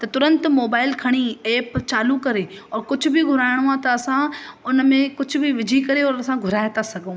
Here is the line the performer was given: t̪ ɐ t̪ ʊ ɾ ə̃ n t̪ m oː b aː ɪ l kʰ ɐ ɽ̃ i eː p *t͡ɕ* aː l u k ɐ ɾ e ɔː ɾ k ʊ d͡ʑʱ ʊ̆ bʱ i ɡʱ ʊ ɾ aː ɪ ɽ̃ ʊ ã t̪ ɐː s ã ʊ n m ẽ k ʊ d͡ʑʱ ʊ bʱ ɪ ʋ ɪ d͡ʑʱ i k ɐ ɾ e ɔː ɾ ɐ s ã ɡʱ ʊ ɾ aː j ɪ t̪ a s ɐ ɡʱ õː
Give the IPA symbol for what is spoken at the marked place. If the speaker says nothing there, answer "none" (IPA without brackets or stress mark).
t͡ɕ